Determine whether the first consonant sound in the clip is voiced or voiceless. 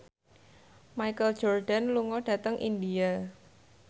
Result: voiced